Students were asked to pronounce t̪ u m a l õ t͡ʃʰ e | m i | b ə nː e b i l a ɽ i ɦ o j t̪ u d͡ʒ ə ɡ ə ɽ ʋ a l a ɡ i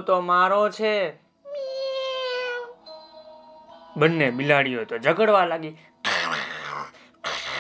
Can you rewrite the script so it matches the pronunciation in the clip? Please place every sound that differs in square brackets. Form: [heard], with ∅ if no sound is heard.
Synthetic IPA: t̪ [o] m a [ɾ] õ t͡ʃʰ e | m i | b ə nː e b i l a ɽ i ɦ o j t̪ [o] d͡ʒ ə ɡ ə ɽ ʋ a l a ɡ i